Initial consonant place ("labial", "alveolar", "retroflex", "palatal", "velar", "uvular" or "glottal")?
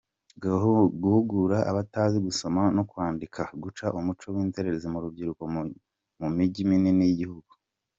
velar